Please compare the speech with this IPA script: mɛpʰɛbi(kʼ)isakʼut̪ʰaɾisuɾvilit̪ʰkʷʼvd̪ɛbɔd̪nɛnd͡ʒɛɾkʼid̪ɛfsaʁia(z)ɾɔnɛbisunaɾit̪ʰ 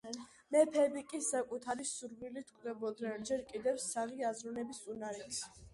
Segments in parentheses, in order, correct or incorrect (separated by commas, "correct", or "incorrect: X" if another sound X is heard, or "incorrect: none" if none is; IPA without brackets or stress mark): correct, correct